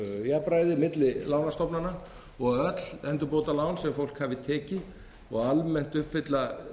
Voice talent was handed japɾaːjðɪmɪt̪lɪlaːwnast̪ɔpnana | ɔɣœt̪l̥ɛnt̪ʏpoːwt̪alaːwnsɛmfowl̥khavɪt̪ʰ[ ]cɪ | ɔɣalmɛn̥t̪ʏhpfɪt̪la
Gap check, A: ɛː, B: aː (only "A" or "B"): A